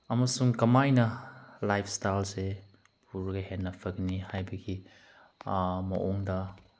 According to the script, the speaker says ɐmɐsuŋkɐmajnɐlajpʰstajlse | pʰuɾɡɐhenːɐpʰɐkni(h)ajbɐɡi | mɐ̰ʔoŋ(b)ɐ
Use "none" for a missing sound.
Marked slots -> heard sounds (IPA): h, d

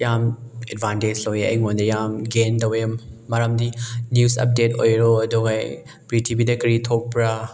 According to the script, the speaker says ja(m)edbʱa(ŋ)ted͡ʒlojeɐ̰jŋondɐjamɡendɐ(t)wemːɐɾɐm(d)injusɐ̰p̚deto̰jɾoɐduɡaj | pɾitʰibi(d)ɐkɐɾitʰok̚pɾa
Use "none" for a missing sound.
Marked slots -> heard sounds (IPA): m, n, none, d, d

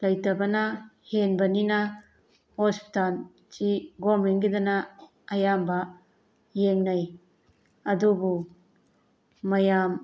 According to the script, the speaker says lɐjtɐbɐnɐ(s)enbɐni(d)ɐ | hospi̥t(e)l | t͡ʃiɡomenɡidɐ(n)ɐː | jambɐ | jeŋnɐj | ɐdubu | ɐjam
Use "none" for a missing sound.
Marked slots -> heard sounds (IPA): h, n, a, n

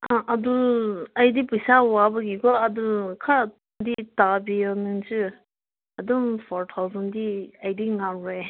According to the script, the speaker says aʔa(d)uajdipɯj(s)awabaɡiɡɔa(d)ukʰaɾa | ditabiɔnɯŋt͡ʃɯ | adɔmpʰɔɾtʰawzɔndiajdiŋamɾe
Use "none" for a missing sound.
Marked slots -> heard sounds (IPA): d, s, d

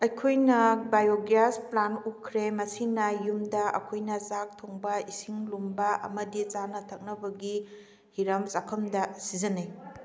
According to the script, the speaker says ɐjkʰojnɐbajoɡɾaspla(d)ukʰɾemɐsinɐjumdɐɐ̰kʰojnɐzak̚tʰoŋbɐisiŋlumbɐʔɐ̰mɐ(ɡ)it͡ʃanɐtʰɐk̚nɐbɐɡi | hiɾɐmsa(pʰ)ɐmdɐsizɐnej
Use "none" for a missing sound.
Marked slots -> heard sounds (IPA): n, d, kʰ

